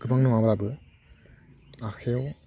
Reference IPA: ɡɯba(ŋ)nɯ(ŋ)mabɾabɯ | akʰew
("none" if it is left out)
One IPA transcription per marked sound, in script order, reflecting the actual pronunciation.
ŋ, none

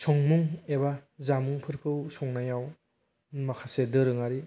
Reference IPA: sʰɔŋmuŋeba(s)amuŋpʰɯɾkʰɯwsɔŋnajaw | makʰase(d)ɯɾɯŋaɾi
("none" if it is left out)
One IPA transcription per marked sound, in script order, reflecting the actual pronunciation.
z, d

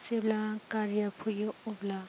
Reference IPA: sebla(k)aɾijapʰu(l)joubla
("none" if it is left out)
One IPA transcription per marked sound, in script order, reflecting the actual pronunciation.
k, none

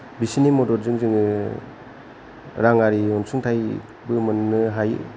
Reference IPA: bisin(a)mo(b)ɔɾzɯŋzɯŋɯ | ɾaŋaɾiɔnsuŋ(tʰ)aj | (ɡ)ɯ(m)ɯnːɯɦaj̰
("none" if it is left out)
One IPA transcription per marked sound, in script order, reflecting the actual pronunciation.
i, d, tʰ, b, m

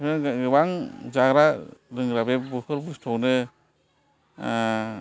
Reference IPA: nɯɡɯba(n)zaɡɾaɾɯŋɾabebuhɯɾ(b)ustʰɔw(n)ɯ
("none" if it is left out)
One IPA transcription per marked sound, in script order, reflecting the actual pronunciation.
ŋ, b, n

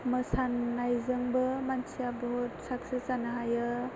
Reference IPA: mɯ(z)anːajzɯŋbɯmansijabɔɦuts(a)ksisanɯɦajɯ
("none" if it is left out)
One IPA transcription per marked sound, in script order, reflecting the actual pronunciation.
s, a

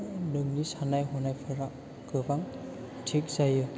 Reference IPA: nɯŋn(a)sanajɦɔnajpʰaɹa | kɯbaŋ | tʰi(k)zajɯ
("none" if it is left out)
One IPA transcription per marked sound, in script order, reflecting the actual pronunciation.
i, k

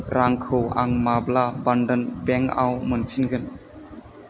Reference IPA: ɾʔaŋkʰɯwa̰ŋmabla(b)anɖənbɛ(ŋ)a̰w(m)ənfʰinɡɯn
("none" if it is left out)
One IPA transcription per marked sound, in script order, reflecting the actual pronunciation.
b, ŋ, m

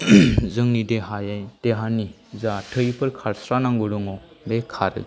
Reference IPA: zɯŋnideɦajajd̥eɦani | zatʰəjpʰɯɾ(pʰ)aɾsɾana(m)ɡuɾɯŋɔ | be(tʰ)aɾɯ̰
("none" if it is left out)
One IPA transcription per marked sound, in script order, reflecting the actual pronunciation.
kʰ, ŋ, kʰ

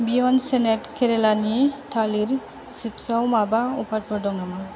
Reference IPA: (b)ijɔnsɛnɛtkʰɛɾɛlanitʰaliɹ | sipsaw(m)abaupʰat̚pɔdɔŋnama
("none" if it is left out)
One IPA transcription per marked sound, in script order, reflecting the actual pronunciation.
b, m

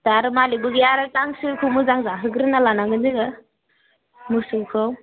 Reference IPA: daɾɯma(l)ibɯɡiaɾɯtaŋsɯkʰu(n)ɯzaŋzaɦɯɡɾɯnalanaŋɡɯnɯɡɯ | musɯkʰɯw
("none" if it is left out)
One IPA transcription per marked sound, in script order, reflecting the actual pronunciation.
l, m

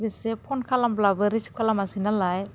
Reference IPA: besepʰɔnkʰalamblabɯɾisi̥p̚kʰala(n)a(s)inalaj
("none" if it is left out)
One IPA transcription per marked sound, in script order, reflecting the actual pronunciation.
m, s

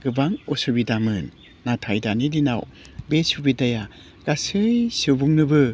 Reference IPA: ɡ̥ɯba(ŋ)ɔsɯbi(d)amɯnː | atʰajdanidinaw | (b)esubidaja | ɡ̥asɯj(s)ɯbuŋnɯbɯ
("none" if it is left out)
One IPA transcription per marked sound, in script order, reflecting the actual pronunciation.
ŋ, d, b, s

